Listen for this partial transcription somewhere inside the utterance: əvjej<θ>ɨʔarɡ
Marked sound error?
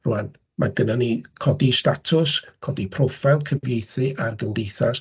no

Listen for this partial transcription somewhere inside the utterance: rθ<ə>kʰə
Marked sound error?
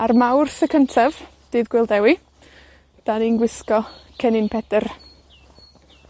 no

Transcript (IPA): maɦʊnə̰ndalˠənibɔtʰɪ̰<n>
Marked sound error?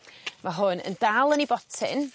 no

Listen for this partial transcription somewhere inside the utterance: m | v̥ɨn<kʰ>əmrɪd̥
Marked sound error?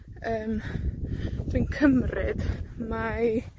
no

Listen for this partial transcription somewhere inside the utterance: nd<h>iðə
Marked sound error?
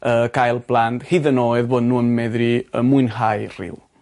no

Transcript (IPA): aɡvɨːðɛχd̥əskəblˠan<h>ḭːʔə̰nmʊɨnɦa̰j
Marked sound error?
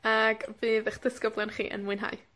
yes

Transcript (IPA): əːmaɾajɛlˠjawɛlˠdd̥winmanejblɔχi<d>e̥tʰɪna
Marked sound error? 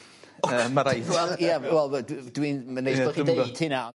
no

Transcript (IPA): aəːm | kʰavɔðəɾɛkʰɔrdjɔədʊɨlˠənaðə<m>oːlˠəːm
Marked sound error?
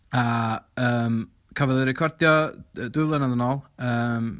yes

